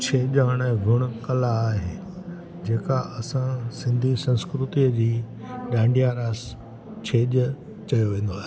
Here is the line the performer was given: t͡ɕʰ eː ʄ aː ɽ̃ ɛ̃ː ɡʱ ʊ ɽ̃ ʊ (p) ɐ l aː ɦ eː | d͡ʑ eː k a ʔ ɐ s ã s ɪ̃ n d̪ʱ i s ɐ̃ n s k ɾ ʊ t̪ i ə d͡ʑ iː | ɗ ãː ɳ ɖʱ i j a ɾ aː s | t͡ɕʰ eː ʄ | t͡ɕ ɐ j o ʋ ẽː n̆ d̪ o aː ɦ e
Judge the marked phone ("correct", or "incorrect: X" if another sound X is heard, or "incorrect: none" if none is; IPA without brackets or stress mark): incorrect: k